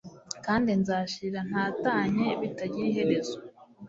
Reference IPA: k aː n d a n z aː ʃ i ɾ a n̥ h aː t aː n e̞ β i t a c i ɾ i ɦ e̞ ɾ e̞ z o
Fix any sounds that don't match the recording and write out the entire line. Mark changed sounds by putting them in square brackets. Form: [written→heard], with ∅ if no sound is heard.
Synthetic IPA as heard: k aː n d [a→i] n z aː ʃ i ɾ a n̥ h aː t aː [n→ɲ] e̞ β i t a [c→ɟ] i ɾ i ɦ e̞ ɾ e̞ z o